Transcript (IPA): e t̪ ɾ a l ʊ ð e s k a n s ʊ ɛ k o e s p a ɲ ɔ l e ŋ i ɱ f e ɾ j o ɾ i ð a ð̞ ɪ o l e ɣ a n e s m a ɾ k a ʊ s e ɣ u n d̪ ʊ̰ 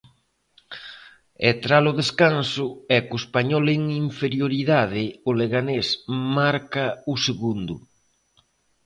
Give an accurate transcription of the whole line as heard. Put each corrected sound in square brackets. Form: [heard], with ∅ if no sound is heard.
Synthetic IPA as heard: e t̪ ɾ a l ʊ ð e s k a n s ʊ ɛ k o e s p a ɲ ɔ l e ŋ i ɱ f e ɾ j o ɾ i ð a ð̞ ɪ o l e ɣ a n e s m a ɾ k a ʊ s e ɣ u n d̪ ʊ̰